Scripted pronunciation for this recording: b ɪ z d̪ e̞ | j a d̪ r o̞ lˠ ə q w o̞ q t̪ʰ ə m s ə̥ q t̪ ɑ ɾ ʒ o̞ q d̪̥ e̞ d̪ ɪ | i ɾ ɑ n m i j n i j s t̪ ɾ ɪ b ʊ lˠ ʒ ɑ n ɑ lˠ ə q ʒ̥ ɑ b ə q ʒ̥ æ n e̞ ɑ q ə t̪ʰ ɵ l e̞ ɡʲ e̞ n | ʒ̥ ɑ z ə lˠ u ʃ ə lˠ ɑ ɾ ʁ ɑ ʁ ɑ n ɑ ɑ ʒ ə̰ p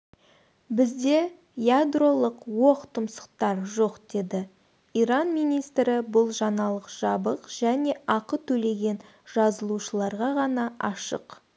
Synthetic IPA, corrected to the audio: b ɪ z d̪ e̞ | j a d̪ r o̞ lˠ ə q w o̞ q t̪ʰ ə m s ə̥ q t̪ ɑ ɾ ʒ o̞ q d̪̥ e̞ d̪ ɪ | i ɾ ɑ n m i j n i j s t̪ ɾ ɪ b ʊ lˠ ʒ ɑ n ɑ lˠ ə q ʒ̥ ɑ b ə q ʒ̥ æ n e̞ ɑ q ə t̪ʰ ɵ l e̞ ɡʲ e̞ n | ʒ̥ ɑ z ə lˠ u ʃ ə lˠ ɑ ɾ ʁ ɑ ʁ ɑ n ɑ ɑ ʃ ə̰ q